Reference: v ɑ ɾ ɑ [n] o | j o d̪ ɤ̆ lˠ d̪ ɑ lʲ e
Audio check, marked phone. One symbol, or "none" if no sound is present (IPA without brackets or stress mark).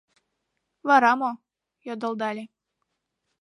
m